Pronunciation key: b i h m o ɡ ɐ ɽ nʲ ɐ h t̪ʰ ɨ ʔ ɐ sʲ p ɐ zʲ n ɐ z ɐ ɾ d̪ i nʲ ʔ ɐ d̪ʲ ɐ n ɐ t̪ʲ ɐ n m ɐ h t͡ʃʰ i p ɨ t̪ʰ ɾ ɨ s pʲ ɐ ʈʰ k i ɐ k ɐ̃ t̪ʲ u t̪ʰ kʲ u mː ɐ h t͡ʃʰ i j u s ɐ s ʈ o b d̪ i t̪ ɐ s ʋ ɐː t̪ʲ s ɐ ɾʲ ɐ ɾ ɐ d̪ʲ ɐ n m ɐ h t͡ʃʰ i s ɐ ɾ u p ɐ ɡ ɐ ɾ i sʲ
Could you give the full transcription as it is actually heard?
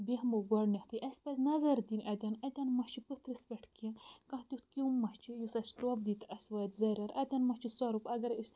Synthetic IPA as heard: b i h m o ɡ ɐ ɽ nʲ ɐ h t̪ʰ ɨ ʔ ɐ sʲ p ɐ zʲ n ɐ z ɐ ɾ d̪ i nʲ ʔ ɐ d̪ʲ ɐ n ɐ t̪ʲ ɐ n m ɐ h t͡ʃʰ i p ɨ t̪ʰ ɾ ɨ s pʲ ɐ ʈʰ k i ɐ k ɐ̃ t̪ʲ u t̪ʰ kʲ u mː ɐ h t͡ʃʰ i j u s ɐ s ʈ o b d̪ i t̪ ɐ s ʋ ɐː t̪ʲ z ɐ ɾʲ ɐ ɾ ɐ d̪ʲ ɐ n m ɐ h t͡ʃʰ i s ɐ ɾ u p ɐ ɡ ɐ ɾ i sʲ

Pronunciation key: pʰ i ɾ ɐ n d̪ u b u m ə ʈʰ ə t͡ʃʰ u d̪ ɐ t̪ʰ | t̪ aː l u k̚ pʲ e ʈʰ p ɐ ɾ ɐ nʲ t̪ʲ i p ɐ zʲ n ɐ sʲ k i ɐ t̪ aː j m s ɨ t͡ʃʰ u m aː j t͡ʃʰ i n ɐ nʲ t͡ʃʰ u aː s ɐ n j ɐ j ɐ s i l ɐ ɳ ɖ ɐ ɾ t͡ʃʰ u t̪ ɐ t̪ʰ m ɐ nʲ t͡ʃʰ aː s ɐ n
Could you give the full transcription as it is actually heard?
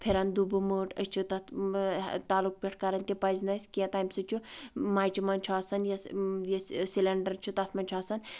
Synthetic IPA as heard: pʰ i ɾ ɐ n d̪ u b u m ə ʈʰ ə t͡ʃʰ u t̪ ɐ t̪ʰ | t̪ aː l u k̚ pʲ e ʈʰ k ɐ ɾ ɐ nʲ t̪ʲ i p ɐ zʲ n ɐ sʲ k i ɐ t̪ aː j m s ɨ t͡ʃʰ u m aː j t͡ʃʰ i m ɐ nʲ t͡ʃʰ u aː s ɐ n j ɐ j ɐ s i l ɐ ɳ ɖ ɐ ɾ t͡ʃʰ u t̪ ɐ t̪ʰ m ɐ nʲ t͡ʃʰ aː s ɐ n

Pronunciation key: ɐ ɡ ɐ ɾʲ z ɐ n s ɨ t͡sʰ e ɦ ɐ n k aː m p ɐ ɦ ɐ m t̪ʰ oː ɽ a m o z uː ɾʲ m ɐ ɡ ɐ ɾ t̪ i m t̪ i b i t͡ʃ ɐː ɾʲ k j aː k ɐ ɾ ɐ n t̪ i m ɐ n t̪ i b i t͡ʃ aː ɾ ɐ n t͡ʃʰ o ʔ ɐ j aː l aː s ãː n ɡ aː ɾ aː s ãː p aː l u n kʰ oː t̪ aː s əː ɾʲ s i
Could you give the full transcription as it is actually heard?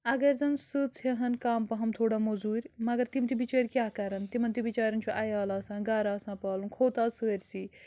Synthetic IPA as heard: ɐ ɡ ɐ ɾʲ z ɐ n s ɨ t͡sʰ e ɦ ɐ n k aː m p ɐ ɦ ɐ m t̪ʰ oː ɽ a m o z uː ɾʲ m ɐ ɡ ɐ ɾ t̪ i m t̪ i b i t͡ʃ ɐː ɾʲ k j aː k ɐ ɾ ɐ n t̪ i m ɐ n t̪ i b i t͡ʃ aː ɾ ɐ n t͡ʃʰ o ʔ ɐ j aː l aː s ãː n ɡ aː ɾ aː s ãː p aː l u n kʰ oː t̪ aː s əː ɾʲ s i

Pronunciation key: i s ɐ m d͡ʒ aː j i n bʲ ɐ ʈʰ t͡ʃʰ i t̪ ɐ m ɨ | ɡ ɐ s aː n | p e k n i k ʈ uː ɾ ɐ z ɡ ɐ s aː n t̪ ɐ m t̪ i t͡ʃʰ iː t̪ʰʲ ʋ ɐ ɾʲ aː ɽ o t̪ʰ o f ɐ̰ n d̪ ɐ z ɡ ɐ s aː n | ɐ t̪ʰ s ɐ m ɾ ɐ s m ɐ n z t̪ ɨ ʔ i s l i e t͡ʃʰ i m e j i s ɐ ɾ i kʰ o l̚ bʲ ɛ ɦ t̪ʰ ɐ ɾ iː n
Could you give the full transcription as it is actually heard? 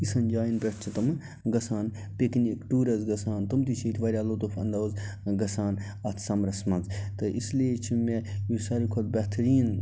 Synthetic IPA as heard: i s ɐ n d͡ʒ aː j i n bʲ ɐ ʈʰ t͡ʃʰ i t̪ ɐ m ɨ | ɡ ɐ s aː n | p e k n i k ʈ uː ɾ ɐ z ɡ ɐ s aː n t̪ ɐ m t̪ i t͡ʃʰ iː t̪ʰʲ ʋ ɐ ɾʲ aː l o t̪ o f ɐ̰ n d̪ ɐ z ɡ ɐ s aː n | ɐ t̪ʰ s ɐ m ɾ ɐ s m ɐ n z t̪ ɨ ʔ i s l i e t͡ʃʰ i m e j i s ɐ ɾ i kʰ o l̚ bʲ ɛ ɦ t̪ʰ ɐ ɾ iː n

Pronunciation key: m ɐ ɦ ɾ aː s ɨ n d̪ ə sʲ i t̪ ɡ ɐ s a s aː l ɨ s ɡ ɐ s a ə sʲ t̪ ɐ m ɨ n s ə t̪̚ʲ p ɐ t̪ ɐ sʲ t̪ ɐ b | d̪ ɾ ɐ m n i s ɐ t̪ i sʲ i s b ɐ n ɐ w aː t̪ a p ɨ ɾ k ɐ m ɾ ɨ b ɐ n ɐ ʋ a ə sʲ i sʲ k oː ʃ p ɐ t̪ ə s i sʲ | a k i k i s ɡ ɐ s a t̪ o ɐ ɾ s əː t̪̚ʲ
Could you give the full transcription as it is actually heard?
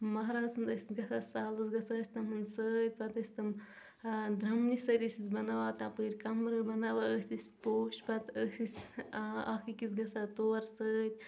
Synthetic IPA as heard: m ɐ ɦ ɾ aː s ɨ n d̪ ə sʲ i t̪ ɡ ɐ s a s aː l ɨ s ɡ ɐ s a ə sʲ t̪ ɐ m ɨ n s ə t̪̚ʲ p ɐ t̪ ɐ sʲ t̪ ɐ m | d̪ ɾ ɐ m n i s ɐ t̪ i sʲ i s b ɐ n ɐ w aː t̪ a p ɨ ɾ k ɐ m ɾ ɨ b ɐ n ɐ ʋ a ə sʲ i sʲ p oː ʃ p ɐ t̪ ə s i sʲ | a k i k i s ɡ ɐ s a t̪ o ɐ ɾ s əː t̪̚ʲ

